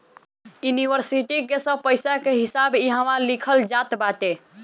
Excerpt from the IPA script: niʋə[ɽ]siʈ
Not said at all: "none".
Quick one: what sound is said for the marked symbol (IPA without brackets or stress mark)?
ɾ